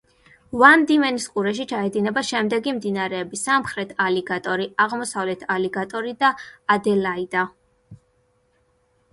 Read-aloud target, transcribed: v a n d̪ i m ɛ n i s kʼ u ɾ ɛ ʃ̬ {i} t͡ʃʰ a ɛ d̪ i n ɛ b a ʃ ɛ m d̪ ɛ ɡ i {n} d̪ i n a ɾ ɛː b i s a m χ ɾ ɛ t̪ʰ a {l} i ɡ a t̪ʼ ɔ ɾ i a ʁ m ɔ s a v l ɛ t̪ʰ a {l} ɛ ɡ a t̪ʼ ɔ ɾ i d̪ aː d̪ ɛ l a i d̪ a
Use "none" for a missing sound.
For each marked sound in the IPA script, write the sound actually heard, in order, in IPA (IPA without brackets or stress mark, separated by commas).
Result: i, m, l, l